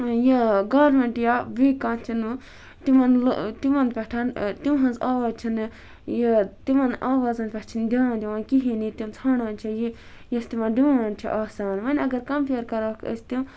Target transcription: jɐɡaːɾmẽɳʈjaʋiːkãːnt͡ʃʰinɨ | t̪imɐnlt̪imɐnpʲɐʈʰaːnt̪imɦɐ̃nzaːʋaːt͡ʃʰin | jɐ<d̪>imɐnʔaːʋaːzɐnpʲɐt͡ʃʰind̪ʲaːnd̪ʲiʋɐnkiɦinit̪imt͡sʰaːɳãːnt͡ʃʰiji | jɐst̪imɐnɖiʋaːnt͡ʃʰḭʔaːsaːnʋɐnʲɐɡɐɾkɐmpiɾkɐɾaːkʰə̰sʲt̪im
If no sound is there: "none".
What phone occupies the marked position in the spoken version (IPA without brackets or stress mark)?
t̪